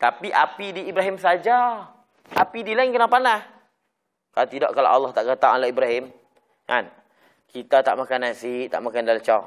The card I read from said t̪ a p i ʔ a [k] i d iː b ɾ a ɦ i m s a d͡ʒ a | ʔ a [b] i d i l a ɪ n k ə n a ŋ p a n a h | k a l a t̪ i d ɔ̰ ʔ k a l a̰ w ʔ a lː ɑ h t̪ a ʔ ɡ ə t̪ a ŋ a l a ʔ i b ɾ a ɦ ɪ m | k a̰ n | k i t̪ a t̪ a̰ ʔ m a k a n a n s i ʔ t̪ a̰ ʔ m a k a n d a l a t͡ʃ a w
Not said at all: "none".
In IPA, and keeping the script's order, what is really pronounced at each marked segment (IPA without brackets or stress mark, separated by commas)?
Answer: p, p